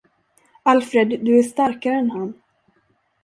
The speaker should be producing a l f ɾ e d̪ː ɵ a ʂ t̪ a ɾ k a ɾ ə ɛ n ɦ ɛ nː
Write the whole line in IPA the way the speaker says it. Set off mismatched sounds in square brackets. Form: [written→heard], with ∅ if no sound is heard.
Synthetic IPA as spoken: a l f ɾ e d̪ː ɵ [a→æ] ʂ t̪ a ɾ k a ɾ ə ɛ n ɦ [ɛ→a] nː